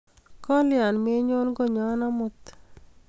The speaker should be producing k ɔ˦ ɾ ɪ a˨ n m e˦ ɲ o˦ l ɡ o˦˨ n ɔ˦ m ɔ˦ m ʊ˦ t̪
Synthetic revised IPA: k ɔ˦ l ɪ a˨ n m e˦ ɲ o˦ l ɡ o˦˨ ɲ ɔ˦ n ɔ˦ m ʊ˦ t̪